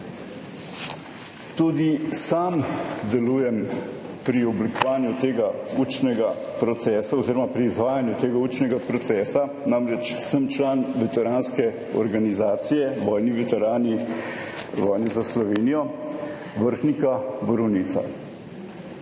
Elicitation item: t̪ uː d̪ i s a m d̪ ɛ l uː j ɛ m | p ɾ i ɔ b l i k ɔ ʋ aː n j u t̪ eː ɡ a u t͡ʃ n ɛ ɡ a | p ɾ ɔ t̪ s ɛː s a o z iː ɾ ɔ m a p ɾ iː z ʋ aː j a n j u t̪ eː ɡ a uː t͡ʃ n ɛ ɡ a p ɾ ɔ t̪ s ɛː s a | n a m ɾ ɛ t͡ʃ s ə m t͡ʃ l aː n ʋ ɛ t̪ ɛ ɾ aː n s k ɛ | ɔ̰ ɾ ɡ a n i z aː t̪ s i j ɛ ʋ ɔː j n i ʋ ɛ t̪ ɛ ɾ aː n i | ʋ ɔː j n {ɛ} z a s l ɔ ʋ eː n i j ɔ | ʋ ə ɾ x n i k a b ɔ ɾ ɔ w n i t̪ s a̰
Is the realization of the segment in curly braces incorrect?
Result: no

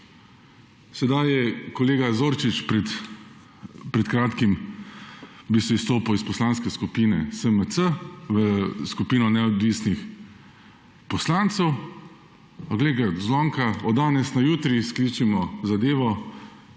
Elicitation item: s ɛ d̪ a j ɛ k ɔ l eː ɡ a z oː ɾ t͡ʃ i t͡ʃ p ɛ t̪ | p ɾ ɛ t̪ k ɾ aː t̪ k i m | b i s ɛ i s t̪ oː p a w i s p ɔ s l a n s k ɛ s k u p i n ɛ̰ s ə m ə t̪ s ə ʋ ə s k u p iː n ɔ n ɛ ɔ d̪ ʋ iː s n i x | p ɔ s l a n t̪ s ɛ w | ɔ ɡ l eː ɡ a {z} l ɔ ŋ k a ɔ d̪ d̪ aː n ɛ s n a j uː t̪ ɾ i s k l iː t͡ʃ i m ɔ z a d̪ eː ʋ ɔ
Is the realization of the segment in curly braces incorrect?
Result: no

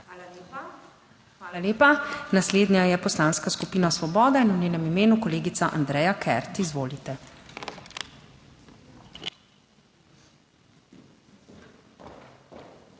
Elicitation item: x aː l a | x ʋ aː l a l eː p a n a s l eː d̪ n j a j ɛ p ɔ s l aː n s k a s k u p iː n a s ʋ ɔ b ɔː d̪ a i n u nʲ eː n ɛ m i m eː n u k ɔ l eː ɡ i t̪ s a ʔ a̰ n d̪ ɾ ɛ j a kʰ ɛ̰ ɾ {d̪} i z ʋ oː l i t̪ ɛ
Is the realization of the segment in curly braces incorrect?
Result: yes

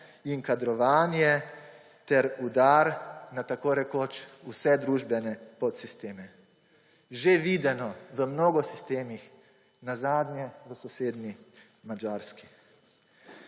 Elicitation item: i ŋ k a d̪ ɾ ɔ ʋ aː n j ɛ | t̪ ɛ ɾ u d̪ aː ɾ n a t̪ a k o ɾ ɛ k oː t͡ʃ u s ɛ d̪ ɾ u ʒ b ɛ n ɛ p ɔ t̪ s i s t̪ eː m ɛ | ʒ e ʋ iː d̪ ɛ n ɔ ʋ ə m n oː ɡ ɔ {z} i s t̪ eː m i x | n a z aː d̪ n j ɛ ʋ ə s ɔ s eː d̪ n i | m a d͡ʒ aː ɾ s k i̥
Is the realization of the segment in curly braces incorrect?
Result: yes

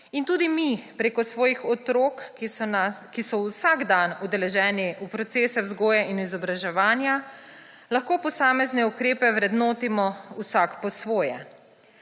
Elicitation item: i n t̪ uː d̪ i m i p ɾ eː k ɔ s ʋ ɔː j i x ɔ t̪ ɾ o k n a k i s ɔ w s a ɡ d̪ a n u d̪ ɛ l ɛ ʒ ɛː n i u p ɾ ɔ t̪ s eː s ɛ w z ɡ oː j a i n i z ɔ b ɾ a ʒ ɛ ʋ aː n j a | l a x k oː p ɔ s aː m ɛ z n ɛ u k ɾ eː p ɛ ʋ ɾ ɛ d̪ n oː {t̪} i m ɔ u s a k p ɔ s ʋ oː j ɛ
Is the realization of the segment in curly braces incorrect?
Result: no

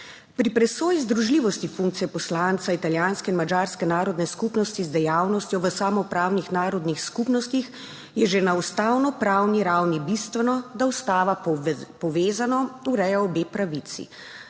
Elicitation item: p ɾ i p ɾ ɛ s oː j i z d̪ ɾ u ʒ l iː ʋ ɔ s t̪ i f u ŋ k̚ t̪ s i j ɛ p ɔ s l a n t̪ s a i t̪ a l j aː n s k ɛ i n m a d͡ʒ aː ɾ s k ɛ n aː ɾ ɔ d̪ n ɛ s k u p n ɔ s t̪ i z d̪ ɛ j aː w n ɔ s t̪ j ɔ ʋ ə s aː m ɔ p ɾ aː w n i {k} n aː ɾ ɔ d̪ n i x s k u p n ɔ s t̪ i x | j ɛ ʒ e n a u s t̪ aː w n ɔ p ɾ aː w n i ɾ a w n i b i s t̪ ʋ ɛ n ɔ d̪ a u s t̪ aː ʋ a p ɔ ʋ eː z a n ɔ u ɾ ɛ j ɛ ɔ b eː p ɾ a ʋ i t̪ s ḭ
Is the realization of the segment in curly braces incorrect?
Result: yes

